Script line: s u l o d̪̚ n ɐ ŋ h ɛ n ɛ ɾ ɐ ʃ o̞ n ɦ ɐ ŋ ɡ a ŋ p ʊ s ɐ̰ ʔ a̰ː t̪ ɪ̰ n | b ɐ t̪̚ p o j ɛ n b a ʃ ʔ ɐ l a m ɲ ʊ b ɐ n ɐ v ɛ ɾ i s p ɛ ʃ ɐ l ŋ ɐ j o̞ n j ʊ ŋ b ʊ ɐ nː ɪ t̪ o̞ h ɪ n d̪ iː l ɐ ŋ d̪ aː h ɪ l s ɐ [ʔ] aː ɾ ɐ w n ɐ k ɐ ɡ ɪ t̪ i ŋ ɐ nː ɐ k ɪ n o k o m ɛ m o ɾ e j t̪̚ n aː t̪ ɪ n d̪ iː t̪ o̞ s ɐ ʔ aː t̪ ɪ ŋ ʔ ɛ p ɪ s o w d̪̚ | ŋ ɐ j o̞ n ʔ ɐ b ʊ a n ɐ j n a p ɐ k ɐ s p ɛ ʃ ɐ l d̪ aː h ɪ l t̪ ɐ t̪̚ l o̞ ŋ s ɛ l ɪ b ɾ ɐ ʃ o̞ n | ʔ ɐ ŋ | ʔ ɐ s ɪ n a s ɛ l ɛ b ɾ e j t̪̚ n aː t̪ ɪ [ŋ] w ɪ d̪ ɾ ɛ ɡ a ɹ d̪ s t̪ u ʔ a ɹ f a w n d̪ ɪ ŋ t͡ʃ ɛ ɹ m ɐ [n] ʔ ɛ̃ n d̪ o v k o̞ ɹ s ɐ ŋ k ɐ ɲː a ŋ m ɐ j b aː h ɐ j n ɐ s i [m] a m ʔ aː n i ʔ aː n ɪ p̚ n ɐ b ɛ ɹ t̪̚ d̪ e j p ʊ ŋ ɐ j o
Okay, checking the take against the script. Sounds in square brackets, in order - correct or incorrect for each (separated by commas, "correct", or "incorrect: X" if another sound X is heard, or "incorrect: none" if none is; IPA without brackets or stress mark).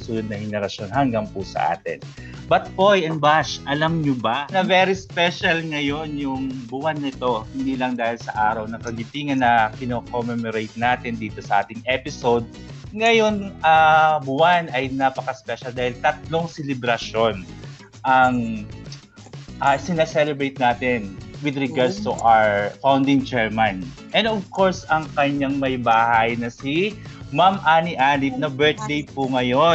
correct, incorrect: n, correct, correct